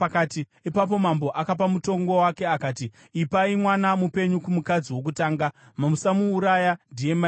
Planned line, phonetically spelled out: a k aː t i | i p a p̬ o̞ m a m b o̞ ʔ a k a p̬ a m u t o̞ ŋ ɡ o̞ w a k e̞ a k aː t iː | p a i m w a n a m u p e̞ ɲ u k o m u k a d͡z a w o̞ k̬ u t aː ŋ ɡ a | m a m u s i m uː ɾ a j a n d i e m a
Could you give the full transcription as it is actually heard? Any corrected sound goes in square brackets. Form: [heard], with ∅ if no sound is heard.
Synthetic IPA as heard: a k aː t i | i p a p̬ o̞ m a m b o̞ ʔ a k a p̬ a m u t o̞ ŋ ɡ o̞ w a k e̞ a k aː t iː | p a i m w a n a m u p e̞ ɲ u k [u] m u k a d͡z [i] w o̞ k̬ u t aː ŋ ɡ a | m a m u s [a] m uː ɾ a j a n d i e m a